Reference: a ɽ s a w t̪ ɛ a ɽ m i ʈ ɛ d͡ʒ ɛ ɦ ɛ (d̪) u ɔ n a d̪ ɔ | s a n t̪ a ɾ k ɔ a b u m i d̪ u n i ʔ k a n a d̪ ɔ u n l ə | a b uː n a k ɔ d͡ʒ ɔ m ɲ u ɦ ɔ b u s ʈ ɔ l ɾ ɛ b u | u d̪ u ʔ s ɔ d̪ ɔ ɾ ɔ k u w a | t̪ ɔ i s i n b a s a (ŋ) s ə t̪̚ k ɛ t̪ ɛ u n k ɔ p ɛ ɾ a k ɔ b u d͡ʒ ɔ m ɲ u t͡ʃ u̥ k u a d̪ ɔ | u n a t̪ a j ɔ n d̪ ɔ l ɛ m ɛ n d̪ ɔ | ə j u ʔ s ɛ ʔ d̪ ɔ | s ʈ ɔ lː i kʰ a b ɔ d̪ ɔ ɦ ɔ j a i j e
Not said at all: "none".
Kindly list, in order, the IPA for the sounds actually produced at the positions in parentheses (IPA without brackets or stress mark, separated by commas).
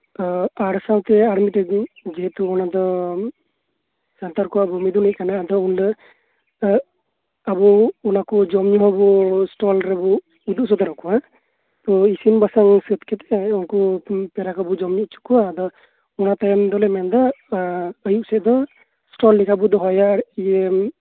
t̪, ŋ